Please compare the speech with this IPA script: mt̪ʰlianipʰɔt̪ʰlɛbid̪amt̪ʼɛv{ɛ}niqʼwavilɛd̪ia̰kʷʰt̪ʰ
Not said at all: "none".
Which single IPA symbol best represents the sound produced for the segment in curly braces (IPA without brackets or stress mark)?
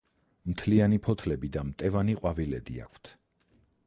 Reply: a